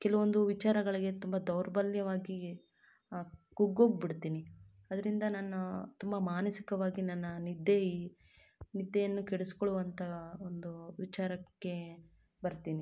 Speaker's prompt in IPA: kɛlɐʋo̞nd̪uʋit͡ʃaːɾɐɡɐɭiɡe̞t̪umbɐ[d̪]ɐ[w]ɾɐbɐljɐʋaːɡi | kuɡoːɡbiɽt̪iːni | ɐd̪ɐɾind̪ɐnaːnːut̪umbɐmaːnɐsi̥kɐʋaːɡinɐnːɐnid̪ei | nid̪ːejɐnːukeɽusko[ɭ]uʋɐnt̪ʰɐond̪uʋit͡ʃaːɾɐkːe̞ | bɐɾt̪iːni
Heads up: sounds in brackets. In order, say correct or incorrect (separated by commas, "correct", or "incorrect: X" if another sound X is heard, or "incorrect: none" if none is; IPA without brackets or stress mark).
correct, correct, correct